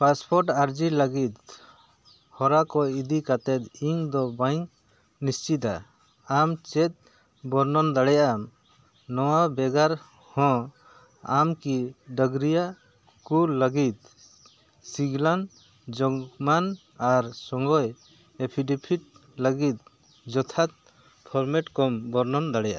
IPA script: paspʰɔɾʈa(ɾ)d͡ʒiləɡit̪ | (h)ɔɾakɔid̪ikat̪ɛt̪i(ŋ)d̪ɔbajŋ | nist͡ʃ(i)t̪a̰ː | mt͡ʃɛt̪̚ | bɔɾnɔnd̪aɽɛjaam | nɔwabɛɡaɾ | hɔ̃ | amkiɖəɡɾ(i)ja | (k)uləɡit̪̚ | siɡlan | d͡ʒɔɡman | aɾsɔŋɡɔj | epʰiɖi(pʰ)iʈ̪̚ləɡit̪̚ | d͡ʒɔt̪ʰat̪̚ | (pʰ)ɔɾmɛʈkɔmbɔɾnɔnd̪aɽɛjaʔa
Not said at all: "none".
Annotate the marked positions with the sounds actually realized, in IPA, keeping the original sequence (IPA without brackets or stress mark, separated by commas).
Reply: ɾ, h, ŋ, i, i, k, pʰ, pʰ